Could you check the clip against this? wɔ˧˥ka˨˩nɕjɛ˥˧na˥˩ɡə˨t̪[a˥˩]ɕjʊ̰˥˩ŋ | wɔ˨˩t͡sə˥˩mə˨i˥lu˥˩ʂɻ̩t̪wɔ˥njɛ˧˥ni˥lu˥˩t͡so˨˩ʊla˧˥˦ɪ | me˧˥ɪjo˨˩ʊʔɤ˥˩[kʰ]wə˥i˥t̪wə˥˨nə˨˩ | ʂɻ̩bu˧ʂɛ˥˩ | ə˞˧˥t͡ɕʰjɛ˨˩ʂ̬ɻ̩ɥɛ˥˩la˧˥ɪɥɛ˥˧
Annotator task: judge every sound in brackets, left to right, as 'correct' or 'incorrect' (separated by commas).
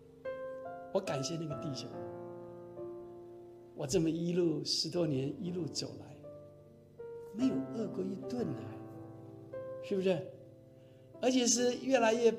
incorrect, incorrect